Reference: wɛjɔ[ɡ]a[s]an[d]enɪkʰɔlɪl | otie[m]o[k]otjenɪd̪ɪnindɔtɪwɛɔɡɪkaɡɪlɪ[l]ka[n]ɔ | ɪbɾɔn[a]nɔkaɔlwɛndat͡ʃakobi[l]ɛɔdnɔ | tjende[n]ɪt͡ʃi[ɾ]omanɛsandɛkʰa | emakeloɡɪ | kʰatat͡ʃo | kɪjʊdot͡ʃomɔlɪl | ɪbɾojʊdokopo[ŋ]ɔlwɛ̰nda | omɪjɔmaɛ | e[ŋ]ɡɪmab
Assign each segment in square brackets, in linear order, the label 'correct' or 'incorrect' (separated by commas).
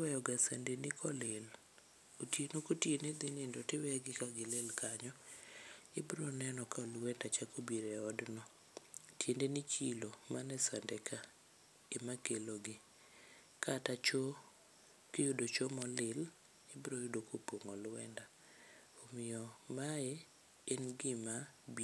correct, correct, correct, incorrect, correct, correct, incorrect, incorrect, incorrect, correct, incorrect, correct, incorrect